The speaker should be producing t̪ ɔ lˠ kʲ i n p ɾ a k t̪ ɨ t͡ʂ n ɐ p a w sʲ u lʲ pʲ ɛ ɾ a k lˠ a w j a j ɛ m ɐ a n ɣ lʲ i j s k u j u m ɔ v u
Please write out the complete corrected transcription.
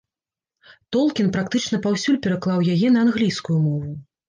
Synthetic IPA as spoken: t̪ ɔ lˠ kʲ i n p ɾ a k t̪ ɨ t͡ʂ n ɐ p a w sʲ u lʲ pʲ ɛ ɾ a k lˠ a w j a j ɛ n ɐ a n ɣ lʲ i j s k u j u m ɔ v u